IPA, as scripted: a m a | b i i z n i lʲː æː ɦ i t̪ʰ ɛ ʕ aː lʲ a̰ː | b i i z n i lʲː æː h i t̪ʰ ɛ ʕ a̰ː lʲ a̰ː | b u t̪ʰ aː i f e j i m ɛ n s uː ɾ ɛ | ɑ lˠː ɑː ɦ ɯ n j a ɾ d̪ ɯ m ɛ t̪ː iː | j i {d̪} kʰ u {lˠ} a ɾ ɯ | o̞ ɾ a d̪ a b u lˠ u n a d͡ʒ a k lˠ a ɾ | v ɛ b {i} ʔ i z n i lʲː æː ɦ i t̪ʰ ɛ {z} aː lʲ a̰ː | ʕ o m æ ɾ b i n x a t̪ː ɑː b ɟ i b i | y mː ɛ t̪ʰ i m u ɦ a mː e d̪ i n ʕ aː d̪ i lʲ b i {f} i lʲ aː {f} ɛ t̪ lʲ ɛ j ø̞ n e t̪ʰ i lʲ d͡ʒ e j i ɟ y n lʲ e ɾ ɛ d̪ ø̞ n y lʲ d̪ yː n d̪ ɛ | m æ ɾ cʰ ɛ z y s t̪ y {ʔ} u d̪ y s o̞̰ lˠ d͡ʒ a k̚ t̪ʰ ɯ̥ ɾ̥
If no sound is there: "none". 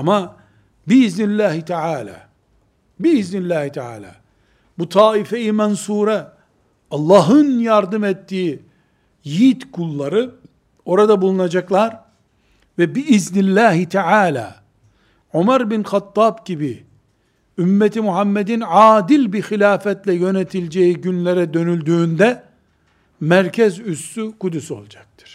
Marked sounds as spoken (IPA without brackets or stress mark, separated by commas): t̪, lˠː, i, ʕ, x, f, k